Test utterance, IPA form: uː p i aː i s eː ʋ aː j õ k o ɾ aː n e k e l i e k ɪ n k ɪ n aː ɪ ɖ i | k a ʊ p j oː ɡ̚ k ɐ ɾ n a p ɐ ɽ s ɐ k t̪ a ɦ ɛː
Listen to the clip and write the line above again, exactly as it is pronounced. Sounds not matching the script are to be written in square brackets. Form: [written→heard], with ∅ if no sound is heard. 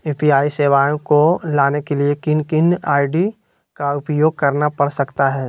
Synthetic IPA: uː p i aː i s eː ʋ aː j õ k o [ɾ→l] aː n e k e l i e k ɪ n k ɪ n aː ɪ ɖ i | k a ʊ p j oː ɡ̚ k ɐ ɾ n a p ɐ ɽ s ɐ k t̪ a ɦ ɛː